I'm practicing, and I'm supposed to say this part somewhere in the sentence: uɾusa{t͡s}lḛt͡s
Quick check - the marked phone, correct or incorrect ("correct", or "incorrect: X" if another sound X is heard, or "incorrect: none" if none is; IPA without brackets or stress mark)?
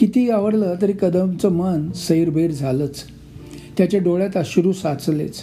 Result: correct